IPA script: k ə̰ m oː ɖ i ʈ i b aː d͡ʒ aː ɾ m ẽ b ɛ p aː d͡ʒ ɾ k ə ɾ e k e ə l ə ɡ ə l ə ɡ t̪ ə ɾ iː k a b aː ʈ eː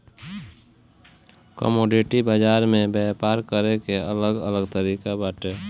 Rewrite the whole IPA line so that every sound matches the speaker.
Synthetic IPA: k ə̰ m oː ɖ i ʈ i b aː d͡ʒ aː ɾ m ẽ b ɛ p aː ɾ k ə ɾ e k e ə l ə ɡ ə l ə ɡ t̪ ə ɾ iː k a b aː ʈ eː